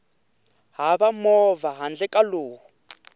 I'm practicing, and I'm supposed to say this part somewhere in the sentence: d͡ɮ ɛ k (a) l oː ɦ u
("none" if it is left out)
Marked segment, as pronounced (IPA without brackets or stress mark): a